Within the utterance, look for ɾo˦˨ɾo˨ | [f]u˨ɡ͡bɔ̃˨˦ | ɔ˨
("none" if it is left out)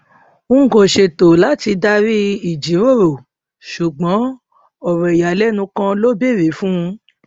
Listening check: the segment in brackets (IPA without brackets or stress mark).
ʃ